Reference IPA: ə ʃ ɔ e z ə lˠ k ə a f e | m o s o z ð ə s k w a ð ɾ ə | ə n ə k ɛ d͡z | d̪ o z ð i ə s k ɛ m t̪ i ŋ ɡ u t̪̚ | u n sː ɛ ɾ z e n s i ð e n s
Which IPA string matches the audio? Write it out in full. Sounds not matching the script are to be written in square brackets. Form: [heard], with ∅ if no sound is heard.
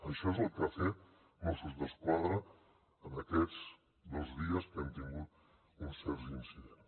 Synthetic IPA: ə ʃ ɔ e z ə lˠ k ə a f e | m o s [u] z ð ə s k w a ð ɾ ə | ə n ə k ɛ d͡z | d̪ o z ð i ə s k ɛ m t̪ i ŋ ɡ u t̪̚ | u n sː ɛ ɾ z [i] n s i ð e n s